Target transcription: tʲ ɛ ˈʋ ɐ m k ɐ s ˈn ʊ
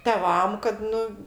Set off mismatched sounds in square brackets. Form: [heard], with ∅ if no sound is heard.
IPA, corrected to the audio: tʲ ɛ ˈʋ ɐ m k ɐ [t] ˈn ʊ